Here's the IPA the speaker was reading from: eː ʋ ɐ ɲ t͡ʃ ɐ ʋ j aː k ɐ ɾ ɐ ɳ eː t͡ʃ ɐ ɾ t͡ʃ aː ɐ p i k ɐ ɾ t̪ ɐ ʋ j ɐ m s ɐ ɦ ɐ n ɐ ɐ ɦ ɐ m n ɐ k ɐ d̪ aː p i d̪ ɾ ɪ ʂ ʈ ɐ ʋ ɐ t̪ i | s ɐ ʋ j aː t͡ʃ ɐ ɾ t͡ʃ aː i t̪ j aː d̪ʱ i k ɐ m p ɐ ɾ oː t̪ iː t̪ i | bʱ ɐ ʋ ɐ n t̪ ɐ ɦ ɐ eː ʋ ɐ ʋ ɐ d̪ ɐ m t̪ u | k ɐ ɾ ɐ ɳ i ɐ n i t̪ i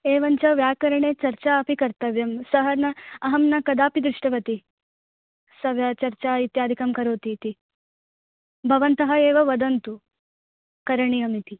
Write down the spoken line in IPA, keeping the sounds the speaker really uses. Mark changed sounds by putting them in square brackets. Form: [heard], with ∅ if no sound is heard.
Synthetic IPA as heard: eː ʋ ɐ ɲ t͡ʃ ɐ ʋ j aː k ɐ ɾ ɐ ɳ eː t͡ʃ ɐ ɾ t͡ʃ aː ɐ p i k ɐ ɾ t̪ ɐ ʋ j ɐ m s ɐ ɦ ɐ n ɐ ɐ ɦ ɐ m n ɐ k ɐ d̪ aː p i d̪ ɾ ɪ ʂ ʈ ɐ ʋ ɐ t̪ i | s ɐ ʋ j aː t͡ʃ ɐ ɾ t͡ʃ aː i t̪ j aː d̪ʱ i k ɐ m [k] ɐ ɾ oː t̪ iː t̪ i | bʱ ɐ ʋ ɐ n t̪ ɐ ɦ ɐ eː ʋ ɐ ʋ ɐ d̪ ɐ [n] t̪ u | k ɐ ɾ ɐ ɳ i ɐ [m] i t̪ i